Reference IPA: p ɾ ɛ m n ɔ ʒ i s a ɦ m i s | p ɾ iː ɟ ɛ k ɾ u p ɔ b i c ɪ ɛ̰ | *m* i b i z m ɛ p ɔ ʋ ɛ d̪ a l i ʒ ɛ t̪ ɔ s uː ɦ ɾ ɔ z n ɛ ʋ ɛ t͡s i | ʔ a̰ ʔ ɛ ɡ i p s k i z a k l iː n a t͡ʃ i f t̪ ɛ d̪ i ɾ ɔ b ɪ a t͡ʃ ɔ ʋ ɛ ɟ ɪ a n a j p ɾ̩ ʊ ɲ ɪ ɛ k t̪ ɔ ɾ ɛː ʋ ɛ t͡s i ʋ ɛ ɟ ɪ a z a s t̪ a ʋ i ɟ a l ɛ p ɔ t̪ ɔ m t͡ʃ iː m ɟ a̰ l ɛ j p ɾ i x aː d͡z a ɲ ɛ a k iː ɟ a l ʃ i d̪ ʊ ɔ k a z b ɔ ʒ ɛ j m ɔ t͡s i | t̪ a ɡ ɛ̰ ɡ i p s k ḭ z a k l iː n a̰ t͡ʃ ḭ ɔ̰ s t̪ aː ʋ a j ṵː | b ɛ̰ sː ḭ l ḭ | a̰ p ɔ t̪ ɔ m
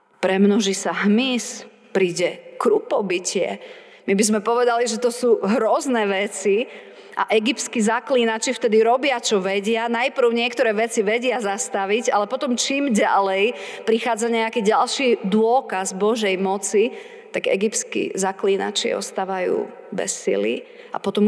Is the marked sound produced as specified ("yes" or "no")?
yes